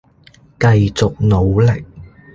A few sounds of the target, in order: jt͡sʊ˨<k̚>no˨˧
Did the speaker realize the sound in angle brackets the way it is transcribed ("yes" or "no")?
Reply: yes